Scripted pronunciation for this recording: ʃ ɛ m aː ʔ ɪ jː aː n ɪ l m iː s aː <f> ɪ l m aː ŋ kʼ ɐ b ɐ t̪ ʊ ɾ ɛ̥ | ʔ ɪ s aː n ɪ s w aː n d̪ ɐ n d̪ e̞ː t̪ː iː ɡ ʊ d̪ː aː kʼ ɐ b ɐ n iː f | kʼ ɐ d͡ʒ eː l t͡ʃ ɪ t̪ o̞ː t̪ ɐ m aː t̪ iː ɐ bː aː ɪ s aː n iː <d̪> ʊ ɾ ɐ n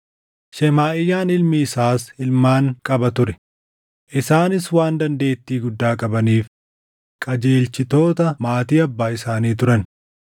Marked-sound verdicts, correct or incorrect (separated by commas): incorrect, incorrect